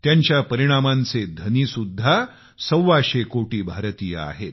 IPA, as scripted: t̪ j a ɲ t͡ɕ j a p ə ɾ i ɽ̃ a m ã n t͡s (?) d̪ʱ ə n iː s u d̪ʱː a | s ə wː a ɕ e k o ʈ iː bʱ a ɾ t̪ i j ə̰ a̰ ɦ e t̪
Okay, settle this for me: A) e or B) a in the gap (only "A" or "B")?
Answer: A